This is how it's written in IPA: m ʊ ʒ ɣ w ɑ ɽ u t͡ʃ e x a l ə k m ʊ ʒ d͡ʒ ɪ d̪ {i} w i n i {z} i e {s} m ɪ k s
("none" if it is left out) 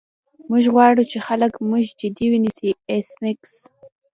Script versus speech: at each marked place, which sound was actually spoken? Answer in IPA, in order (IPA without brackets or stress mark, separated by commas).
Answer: i, s, s